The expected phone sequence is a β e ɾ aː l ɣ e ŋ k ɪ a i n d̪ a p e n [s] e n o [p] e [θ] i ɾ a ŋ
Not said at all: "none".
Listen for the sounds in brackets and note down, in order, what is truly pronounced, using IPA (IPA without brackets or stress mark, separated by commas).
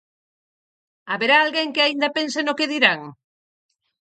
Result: s, k, ð